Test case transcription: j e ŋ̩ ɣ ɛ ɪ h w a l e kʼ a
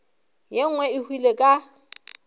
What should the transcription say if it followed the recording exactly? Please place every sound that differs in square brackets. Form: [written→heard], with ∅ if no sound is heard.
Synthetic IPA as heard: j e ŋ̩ [ɣ→w] ɛ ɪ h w [a→i] l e kʼ a